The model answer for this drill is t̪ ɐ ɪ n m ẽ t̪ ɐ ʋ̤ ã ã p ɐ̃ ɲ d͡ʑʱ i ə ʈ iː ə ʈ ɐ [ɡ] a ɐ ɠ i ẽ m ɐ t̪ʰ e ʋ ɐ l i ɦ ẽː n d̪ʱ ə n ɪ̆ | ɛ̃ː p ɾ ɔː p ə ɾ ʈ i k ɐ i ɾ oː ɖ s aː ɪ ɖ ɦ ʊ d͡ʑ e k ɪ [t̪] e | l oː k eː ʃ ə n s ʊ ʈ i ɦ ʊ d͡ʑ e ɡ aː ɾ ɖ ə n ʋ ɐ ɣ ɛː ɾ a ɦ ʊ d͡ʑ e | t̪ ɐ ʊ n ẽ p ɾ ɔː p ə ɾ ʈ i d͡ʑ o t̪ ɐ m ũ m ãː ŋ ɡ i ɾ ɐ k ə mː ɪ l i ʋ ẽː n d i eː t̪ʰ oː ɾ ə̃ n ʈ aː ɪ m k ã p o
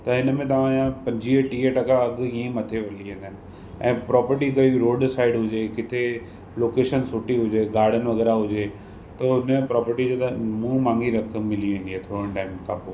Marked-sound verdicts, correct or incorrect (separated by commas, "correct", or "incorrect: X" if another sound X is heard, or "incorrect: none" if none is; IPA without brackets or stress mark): incorrect: k, incorrect: t̪ʰ